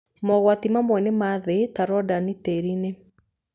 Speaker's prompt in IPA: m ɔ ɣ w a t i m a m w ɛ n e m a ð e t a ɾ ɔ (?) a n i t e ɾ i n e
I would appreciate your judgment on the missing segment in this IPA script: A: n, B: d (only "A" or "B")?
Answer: B